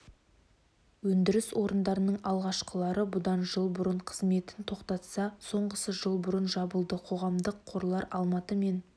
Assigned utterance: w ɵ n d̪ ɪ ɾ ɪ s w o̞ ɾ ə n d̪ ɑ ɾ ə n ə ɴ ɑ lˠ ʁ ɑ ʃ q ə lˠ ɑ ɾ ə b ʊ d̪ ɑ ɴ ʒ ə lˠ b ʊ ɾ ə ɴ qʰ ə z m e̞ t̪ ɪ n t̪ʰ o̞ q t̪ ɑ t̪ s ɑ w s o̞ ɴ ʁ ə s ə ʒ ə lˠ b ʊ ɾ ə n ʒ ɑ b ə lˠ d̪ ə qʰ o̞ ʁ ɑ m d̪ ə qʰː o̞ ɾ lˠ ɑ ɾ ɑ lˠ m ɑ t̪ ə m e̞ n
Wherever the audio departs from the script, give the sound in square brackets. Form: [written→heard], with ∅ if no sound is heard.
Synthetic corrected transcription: w ɵ n d̪ ɪ ɾ ɪ s w o̞ ɾ ə n d̪ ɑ ɾ ə n ə ɴ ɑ lˠ ʁ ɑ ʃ q ə lˠ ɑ ɾ ə b ʊ d̪ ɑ [ɴ→n] ʒ ə lˠ b ʊ ɾ ə ɴ qʰ ə z m e̞ t̪ ɪ n t̪ʰ o̞ q t̪ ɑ t̪ s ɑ [w→∅] s o̞ ɴ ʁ ə s ə ʒ ə lˠ b ʊ ɾ ə n ʒ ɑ b ə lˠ d̪ ə qʰ o̞ ʁ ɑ m d̪ ə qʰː o̞ ɾ lˠ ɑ ɾ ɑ lˠ m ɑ t̪ ə m e̞ n